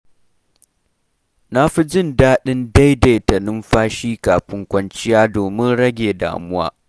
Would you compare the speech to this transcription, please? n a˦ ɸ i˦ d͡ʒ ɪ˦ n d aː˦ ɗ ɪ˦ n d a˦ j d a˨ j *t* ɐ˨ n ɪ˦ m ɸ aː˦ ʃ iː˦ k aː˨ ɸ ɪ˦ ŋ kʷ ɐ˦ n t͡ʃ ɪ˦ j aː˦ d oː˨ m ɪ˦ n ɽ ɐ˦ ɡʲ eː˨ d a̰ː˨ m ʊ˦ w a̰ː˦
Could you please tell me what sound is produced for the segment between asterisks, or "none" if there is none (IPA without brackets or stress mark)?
t